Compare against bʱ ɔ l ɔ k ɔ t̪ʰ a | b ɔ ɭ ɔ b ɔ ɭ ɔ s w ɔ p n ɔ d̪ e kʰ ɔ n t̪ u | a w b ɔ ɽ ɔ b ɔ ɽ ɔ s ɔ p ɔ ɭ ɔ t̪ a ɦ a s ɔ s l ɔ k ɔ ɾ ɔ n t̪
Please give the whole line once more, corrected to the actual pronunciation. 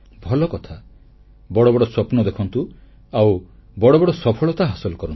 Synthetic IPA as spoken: bʱ ɔ l ɔ k ɔ t̪ʰ a | b ɔ ɽ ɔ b ɔ ɽ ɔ s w ɔ p n ɔ d̪ e kʰ ɔ n t̪ u | a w b ɔ ɽ ɔ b ɔ ɽ ɔ s ɔ pʰ ɔ ɭ ɔ t̪ a ɦ a s ɔ l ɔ k ɔ ɾ ɔ n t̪